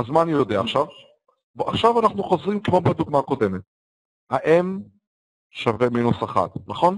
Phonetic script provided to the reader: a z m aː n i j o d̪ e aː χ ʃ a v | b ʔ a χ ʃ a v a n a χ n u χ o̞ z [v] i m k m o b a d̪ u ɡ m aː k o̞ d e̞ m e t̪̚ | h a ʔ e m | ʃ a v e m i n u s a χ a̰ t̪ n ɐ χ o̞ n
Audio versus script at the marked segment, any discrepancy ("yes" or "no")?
yes